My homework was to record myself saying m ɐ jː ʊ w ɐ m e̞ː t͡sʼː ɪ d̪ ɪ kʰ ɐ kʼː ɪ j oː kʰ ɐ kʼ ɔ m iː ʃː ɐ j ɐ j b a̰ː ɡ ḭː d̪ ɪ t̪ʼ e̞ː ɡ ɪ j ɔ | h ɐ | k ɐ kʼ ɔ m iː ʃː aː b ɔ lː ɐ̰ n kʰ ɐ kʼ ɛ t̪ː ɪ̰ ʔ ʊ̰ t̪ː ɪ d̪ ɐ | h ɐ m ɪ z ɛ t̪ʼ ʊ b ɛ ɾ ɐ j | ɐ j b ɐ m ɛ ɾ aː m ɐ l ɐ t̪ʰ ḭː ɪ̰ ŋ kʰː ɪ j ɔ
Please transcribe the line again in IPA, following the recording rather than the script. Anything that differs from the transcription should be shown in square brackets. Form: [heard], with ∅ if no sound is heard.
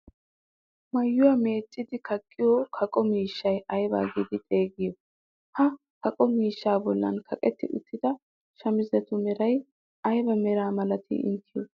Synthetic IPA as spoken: m ɐ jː ʊ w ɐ m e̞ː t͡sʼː ɪ d̪ ɪ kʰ ɐ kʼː ɪ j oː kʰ ɐ kʼ ɔ m iː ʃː ɐ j ɐ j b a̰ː ɡ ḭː d̪ ɪ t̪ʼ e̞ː ɡ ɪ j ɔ | h ɐ | k ɐ kʼ ɔ m iː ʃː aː b ɔ lː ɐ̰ n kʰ ɐ kʼ ɛ t̪ː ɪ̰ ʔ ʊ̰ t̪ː ɪ d̪ ɐ | [ʃ] ɐ m ɪ z ɛ [t̪] ʊ [m] ɛ ɾ ɐ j | ɐ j b ɐ m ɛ ɾ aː m ɐ l ɐ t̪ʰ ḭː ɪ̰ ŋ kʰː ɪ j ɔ